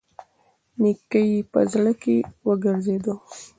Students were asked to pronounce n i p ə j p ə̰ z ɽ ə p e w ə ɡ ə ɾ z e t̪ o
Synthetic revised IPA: n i k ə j p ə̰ z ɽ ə k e w ə ɡ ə ɾ z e d̪ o